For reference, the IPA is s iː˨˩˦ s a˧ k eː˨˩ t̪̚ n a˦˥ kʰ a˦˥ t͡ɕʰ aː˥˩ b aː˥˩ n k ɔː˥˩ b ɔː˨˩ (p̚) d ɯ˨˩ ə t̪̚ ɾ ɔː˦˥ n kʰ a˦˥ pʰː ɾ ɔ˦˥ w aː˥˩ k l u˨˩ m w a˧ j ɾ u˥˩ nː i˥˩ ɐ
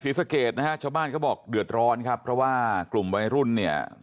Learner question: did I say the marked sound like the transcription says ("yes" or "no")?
no